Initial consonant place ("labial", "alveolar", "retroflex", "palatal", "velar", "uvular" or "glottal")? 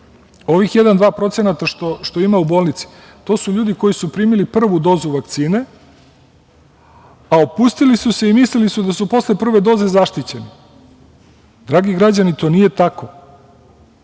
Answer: labial